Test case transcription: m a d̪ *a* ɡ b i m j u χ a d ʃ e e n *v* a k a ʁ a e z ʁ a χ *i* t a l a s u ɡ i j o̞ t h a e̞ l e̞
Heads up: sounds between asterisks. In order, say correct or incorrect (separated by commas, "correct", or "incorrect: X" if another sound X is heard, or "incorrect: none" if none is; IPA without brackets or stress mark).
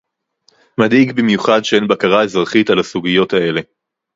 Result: incorrect: i, incorrect: b, correct